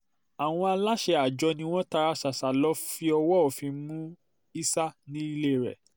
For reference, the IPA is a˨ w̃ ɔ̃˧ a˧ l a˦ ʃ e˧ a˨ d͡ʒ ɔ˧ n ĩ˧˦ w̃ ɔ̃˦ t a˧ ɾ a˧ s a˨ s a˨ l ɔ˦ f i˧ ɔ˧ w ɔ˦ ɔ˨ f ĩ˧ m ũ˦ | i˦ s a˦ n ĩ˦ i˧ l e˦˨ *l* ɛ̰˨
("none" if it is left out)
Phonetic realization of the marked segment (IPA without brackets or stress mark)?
ɾ